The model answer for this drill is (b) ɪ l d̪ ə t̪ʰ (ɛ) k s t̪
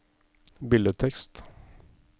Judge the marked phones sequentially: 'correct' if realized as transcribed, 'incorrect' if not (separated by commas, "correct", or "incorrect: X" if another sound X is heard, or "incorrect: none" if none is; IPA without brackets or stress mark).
correct, correct